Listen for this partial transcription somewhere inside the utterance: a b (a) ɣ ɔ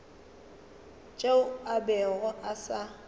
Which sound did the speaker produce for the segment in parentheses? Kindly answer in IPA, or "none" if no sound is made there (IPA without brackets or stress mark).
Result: ɛ